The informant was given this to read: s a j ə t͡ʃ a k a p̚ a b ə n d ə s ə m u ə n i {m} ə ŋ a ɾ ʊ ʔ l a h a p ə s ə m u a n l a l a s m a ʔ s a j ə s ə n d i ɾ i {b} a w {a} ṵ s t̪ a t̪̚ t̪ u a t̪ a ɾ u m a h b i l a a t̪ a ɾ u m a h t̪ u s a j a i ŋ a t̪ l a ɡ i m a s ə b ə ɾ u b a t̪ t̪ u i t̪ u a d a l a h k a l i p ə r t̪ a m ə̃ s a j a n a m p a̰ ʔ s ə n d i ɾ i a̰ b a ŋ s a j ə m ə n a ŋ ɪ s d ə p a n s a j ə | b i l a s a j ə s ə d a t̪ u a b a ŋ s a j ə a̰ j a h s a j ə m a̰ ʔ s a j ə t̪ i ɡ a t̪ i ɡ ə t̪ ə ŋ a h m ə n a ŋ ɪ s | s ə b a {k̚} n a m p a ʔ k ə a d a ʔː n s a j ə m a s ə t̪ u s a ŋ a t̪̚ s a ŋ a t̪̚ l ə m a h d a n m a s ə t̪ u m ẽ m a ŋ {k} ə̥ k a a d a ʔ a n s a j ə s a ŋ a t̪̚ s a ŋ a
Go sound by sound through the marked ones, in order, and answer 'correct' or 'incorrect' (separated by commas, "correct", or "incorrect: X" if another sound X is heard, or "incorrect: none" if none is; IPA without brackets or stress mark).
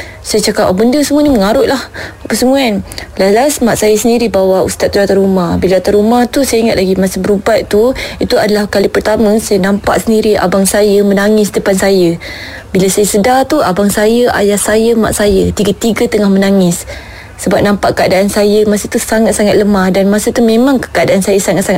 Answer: correct, correct, correct, incorrect: p̚, correct